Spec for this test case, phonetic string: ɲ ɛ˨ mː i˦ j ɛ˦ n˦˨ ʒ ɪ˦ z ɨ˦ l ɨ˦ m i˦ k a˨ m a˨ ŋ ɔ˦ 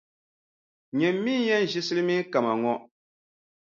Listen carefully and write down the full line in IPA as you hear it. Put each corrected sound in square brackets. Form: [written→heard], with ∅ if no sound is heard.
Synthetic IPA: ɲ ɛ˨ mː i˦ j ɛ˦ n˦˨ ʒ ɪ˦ [z→s] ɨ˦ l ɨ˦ m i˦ k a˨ m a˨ ŋ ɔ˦